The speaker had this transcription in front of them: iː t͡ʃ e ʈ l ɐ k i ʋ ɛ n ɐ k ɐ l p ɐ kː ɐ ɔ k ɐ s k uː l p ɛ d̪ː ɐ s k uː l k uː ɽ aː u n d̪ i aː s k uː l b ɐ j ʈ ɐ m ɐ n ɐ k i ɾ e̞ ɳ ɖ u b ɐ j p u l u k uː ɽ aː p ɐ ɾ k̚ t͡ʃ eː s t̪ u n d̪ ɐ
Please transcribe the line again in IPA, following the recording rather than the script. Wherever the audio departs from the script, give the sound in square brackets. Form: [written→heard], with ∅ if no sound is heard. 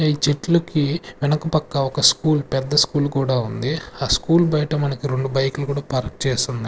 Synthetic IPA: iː t͡ʃ e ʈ l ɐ k i ʋ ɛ n ɐ k ɐ [l→∅] p ɐ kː ɐ ɔ k ɐ s k uː l p ɛ d̪ː ɐ s k uː l k uː ɽ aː u n d̪ i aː s k uː l b ɐ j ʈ ɐ m ɐ n ɐ k i ɾ e̞ ɳ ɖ u b ɐ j [p→k] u l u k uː ɽ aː p ɐ ɾ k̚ t͡ʃ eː s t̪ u n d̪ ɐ

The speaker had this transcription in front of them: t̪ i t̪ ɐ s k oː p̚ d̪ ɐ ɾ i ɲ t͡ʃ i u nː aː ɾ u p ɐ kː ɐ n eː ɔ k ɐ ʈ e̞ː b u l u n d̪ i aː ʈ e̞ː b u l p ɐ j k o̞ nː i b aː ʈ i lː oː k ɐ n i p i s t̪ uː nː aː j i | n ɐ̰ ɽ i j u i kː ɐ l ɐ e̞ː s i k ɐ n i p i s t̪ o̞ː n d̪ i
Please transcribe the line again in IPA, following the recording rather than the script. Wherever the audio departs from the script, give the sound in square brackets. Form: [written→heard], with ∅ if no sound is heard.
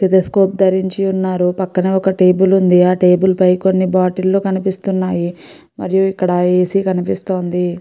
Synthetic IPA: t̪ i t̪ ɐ s k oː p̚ d̪ ɐ ɾ i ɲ t͡ʃ i u nː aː ɾ u p ɐ kː ɐ n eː ɔ k ɐ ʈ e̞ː b u l u n d̪ i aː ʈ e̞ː b u l p ɐ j k o̞ nː i b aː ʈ i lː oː k ɐ n i p i s t̪ [uː→u] nː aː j i | [n→m] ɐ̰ [ɽ→ɾ] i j u i kː ɐ [l→ɽ] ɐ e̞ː s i k ɐ n i p i s t̪ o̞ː n d̪ i

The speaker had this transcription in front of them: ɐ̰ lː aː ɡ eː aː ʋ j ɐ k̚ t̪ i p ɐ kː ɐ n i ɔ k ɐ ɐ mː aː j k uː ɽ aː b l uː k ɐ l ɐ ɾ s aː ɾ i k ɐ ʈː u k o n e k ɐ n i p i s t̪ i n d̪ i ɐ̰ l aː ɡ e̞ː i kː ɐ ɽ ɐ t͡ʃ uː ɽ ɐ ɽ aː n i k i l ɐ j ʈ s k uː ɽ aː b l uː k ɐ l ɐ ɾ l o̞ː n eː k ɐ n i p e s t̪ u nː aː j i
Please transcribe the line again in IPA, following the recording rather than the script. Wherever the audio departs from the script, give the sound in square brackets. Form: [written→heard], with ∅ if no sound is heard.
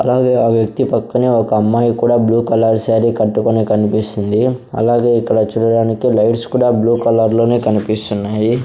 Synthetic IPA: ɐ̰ [lː→l] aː ɡ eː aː ʋ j ɐ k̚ t̪ i p ɐ kː ɐ n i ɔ k ɐ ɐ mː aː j k uː ɽ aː b l uː k ɐ l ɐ ɾ s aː ɾ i k ɐ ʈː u k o n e k ɐ n i p i s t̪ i n d̪ i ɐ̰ l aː ɡ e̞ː i kː ɐ ɽ ɐ t͡ʃ uː ɽ ɐ ɽ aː n i k i l ɐ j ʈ s k uː ɽ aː b l uː k ɐ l ɐ ɾ l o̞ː n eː k ɐ n i p [e→i] s t̪ u nː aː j i

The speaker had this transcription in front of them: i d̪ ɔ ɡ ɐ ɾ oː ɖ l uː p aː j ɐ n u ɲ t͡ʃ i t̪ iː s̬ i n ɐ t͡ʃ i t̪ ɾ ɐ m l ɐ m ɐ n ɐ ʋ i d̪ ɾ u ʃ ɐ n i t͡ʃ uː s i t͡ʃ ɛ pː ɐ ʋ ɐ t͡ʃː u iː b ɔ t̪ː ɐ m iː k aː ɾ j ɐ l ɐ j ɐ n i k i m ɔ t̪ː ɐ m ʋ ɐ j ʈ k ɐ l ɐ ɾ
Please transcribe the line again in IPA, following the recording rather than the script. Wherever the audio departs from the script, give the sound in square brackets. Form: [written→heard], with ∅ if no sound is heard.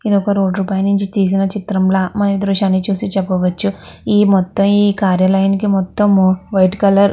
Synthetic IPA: i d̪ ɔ [ɡ→k] ɐ ɾ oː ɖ [l→ɾ] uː p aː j ɐ n u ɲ t͡ʃ i t̪ iː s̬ i n ɐ t͡ʃ i t̪ ɾ ɐ m l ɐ m ɐ n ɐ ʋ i d̪ ɾ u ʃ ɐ n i t͡ʃ uː s i t͡ʃ ɛ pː ɐ ʋ ɐ t͡ʃː u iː [b→m] ɔ t̪ː ɐ m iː k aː ɾ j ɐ l ɐ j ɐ n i k i m ɔ t̪ː ɐ m ʋ ɐ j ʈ k ɐ l ɐ ɾ

